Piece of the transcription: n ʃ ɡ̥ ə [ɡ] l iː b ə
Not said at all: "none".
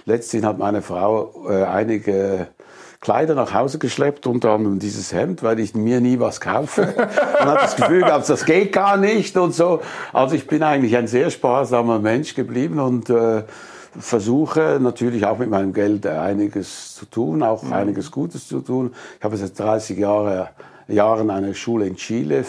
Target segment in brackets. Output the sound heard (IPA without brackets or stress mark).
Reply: b